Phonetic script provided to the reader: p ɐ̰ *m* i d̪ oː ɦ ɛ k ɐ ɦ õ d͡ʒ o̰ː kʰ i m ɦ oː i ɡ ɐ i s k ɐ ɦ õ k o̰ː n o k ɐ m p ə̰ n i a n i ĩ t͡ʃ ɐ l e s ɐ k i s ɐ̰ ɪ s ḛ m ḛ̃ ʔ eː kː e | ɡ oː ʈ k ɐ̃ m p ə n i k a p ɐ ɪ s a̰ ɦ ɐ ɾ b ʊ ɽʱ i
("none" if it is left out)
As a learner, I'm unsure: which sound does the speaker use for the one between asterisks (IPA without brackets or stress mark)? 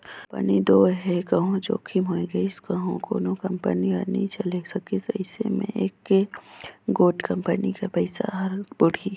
n